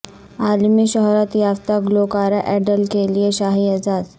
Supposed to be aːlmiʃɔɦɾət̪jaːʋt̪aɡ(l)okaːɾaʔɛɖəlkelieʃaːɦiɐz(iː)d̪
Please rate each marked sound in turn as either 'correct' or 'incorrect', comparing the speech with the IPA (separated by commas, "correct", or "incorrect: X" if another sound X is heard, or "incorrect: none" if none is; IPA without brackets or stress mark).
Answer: correct, incorrect: aː